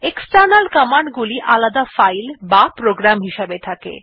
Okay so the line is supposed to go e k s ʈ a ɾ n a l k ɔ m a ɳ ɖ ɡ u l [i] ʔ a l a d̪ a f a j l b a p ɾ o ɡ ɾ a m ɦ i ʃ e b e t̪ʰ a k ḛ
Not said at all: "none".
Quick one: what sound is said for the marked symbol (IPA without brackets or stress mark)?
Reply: i